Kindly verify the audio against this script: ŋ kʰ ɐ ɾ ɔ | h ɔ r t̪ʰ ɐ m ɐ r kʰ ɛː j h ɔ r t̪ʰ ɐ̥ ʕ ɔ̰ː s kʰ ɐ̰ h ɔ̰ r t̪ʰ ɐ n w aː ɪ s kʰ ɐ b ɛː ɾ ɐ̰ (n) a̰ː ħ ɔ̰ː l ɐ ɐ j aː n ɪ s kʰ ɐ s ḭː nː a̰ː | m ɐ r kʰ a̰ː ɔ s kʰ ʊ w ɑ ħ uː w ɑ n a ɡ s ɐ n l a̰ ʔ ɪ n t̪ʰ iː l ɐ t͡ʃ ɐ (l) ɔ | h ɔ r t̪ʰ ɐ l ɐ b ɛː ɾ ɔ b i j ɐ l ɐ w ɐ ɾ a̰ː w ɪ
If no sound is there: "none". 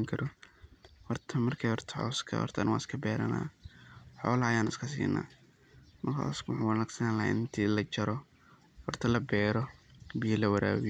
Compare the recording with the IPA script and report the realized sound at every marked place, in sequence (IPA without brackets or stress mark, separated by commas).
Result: n, ɾ